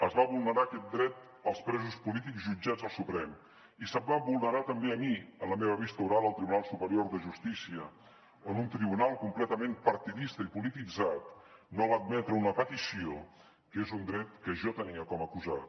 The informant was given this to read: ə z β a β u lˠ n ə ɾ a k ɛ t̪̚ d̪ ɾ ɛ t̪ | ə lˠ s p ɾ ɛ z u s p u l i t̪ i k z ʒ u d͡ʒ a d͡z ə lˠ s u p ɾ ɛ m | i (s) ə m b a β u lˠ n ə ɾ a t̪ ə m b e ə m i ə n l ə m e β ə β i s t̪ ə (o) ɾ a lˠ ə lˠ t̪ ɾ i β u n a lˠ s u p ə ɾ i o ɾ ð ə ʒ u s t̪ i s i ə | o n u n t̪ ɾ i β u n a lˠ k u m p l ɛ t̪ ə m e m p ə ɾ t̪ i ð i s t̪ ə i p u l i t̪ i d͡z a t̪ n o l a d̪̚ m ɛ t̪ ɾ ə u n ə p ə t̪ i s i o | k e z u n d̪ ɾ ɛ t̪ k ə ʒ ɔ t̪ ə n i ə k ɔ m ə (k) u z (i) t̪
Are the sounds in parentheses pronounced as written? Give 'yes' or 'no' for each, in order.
yes, no, yes, no

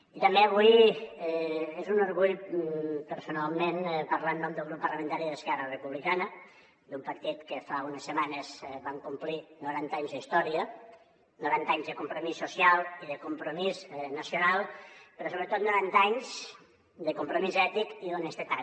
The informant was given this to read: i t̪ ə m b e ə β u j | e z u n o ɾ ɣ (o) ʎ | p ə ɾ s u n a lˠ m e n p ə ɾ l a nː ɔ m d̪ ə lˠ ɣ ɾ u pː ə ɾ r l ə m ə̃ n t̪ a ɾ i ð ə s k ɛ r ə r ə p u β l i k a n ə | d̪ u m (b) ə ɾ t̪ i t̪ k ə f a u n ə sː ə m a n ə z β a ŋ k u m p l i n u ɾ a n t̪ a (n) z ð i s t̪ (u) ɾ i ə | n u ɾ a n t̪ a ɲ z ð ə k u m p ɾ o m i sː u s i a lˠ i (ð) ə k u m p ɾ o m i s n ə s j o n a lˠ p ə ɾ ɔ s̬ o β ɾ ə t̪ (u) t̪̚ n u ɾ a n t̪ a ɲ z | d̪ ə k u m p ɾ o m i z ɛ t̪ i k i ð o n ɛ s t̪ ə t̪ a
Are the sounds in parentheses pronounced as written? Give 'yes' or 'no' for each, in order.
no, no, no, no, yes, no

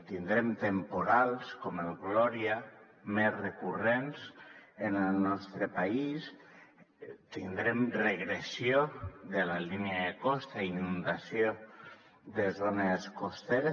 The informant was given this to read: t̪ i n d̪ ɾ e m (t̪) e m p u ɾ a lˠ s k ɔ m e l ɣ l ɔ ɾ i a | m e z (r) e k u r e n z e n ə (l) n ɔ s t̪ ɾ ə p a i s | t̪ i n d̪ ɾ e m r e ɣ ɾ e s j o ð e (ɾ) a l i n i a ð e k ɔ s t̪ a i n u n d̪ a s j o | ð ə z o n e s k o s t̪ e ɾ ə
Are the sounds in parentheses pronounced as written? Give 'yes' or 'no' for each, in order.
yes, yes, yes, no

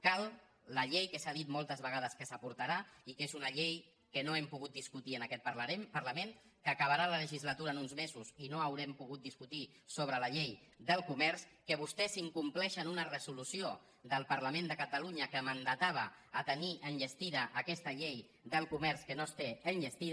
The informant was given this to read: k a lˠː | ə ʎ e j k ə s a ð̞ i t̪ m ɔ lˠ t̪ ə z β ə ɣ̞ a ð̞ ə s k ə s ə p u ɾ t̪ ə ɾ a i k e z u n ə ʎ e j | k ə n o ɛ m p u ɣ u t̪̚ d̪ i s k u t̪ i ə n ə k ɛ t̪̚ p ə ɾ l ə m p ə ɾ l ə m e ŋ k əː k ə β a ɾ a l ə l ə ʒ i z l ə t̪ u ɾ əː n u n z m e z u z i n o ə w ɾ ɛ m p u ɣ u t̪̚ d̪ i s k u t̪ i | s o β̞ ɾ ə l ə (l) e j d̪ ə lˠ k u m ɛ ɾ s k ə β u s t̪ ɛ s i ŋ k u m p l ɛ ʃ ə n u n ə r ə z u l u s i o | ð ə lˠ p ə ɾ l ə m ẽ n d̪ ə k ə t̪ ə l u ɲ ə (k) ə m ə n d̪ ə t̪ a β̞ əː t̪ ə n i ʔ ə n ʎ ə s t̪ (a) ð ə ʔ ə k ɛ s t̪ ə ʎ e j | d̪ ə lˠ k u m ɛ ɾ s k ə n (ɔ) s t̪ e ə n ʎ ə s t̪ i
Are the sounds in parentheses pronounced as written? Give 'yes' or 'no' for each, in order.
no, yes, no, no

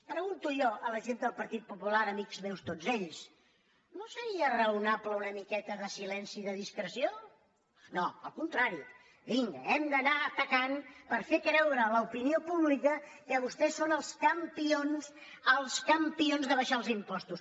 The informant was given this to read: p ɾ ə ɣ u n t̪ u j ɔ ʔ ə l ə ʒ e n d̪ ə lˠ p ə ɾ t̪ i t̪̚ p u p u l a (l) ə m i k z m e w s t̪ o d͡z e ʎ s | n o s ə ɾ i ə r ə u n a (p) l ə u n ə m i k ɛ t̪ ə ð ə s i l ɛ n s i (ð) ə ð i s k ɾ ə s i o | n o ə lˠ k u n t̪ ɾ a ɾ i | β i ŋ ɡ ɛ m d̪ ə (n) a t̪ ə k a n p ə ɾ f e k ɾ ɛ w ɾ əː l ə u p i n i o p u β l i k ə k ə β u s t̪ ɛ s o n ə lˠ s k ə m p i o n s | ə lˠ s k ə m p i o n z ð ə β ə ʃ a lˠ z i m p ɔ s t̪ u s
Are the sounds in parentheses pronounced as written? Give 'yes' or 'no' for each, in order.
no, yes, yes, yes

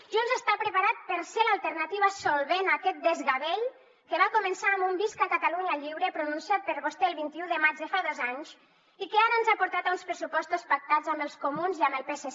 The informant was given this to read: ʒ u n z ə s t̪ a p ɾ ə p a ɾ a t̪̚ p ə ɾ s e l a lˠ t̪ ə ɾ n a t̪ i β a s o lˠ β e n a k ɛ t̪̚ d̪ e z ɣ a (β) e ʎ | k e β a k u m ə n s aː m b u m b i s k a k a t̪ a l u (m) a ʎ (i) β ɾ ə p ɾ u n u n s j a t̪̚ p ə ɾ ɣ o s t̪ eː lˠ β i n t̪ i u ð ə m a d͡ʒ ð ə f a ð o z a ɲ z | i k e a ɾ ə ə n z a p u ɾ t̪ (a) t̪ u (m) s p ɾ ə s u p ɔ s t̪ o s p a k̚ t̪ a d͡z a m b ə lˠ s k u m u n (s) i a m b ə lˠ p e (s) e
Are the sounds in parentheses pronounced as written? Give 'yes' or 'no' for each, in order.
yes, no, yes, yes, no, no, yes

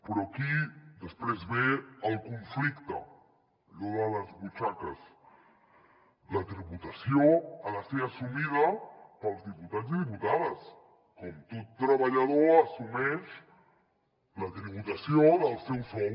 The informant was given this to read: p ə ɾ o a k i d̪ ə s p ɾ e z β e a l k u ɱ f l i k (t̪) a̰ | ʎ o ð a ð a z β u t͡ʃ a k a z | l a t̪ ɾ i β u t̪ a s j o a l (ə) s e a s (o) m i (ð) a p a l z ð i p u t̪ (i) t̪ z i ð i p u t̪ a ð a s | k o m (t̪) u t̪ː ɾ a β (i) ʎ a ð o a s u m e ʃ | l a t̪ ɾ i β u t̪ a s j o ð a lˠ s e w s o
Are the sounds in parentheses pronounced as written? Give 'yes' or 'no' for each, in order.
yes, no, no, yes, no, yes, no

